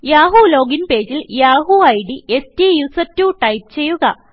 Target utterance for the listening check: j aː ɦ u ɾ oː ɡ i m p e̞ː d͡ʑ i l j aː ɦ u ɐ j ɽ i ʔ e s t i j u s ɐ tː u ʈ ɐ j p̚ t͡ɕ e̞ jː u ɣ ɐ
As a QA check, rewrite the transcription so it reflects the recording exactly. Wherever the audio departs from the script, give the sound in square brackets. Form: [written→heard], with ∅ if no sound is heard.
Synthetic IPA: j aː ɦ u [ɾ→l] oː ɡ i [m→n] p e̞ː d͡ʑ i l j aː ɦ u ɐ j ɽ i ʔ e s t i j u s ɐ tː u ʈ ɐ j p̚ t͡ɕ e̞ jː u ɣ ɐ

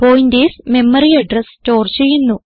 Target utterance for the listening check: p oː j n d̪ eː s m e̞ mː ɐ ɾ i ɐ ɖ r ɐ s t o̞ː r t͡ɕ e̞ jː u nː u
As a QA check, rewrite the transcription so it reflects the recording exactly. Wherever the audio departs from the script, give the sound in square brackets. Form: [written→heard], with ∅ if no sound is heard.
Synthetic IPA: p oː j n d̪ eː s m e̞ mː ɐ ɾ i ɐ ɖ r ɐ s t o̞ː r t͡ɕ e̞ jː u nː u

